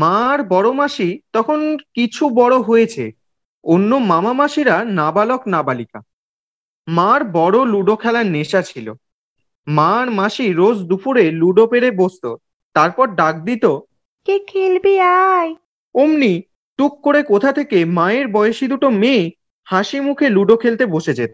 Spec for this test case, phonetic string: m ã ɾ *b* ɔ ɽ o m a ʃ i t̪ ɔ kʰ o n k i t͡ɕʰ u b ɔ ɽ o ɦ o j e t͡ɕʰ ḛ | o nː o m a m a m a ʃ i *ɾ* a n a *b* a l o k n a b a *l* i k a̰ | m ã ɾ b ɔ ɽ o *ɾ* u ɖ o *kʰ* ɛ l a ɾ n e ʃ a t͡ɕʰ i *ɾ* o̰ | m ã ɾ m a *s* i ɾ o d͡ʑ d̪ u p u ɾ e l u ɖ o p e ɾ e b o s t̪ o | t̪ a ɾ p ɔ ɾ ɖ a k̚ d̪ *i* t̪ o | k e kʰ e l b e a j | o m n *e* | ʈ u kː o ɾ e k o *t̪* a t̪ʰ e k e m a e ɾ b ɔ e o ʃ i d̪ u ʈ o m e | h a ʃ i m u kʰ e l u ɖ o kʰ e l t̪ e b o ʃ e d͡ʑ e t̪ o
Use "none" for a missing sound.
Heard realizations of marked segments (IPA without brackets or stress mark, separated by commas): b, ɾ, b, l, l, kʰ, l, ʃ, i, i, t̪ʰ